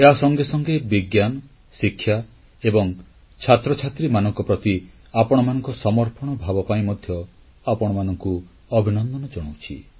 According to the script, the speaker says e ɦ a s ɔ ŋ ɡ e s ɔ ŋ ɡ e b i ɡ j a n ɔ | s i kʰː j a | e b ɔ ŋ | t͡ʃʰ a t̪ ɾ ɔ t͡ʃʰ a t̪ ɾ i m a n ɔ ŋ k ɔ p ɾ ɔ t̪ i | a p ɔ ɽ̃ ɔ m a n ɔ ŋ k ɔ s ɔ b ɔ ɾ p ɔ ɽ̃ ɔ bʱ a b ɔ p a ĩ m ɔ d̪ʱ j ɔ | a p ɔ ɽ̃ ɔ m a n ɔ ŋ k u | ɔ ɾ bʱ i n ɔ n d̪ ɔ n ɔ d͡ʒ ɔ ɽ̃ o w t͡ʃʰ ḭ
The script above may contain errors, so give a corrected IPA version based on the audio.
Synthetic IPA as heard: e ɦ a s ɔ ŋ ɡ e s ɔ ŋ ɡ e b i ɡ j a n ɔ | s i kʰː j a | e b ɔ ŋ | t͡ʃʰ a t̪ ɾ ɔ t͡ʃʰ a t̪ ɾ i m a n ɔ ŋ k ɔ p ɾ ɔ t̪ i | a p ɔ ɽ̃ ɔ m a n ɔ ŋ k ɔ s ɔ m ɔ ɾ p ɔ ɽ̃ ɔ bʱ a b ɔ p a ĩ m ɔ d̪ʱ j ɔ | a p ɔ ɽ̃ ɔ m a n ɔ ŋ k u | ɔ bʱ i n ɔ n d̪ ɔ n ɔ d͡ʒ ɔ ɽ̃ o w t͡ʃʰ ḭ